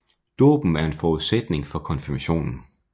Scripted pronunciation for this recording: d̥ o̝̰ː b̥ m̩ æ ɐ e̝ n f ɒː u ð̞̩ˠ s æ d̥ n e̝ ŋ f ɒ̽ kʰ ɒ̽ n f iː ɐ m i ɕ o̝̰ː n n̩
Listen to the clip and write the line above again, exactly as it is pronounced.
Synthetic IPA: d̥ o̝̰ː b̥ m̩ æ ɐ e̝ n f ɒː u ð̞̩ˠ s e d̥ n e̝ ŋ f ɒ̽ kʰ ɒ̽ n f i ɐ m æ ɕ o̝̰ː n n̩